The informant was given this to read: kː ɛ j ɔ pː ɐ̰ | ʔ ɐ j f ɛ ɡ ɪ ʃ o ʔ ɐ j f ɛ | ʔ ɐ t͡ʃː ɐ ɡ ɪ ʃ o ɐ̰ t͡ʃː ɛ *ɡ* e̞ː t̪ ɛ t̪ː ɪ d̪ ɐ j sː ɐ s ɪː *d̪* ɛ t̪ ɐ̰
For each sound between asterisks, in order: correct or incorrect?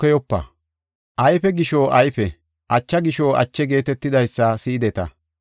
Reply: correct, correct

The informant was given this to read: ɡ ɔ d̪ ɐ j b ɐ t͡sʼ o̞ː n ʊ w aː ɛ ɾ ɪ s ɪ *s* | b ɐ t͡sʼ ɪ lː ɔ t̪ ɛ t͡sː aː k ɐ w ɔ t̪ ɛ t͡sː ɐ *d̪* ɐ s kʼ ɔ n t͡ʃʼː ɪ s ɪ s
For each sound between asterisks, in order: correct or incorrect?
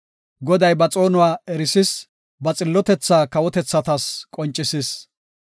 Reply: correct, incorrect

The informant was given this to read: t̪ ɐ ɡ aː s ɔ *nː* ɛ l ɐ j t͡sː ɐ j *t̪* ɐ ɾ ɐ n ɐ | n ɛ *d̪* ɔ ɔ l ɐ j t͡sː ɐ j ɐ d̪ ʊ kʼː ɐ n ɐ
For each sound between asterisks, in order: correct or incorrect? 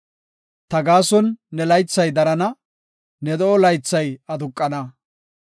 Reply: correct, incorrect, correct

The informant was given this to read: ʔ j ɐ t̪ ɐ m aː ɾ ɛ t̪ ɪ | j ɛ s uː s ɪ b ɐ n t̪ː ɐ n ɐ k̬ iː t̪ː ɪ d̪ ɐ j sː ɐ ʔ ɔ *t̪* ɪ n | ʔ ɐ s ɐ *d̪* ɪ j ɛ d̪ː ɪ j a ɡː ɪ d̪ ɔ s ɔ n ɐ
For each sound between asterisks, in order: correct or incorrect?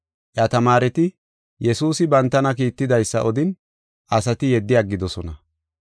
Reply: incorrect, incorrect

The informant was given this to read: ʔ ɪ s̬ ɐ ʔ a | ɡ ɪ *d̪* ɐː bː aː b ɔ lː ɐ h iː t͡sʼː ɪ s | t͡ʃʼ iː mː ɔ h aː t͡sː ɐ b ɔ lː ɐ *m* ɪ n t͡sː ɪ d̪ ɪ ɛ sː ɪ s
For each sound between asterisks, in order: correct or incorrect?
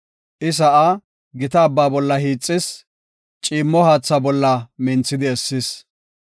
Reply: incorrect, correct

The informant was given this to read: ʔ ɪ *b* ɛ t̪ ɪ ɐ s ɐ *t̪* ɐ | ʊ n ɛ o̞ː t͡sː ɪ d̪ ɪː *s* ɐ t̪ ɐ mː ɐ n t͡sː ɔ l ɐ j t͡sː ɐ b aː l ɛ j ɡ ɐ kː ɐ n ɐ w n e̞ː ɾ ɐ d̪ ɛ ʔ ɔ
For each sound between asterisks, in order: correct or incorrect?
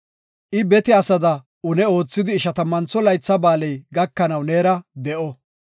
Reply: correct, incorrect, incorrect

